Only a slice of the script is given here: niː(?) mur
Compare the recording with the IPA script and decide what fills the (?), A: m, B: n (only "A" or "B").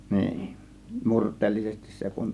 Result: B